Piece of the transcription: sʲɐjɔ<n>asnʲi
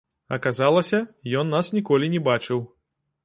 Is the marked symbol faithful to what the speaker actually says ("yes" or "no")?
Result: no